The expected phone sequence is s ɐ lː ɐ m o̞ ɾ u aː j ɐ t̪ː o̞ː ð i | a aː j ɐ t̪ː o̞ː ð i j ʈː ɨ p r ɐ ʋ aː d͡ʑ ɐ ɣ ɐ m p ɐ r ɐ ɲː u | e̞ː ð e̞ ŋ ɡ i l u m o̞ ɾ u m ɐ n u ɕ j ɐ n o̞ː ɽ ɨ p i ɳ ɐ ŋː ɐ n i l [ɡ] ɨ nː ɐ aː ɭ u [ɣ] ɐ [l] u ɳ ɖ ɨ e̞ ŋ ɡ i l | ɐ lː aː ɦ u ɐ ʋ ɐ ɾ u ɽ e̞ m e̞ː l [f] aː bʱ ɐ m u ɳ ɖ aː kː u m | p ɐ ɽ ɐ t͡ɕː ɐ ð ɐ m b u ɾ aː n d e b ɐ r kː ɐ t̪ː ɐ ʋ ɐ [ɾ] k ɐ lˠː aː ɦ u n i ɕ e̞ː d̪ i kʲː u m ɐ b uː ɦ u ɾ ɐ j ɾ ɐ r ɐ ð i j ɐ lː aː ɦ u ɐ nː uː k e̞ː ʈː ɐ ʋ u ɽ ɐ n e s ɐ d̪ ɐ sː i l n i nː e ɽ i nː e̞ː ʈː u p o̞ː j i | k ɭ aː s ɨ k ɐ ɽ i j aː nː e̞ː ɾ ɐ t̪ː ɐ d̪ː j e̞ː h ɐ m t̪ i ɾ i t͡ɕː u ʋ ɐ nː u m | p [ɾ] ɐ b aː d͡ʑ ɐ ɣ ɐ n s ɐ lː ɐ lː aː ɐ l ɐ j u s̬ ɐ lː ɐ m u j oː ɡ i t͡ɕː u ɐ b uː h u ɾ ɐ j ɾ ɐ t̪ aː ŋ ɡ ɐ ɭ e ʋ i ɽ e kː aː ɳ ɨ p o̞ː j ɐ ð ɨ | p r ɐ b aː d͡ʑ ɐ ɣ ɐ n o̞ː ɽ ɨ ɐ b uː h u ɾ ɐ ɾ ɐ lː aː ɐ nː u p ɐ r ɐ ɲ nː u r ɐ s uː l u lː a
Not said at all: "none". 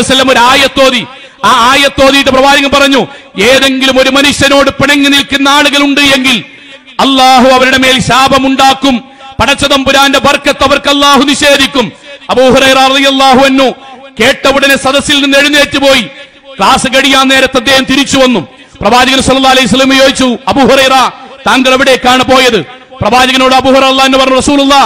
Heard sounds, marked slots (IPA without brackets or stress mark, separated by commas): k, ɣ, l, ɕ, r, r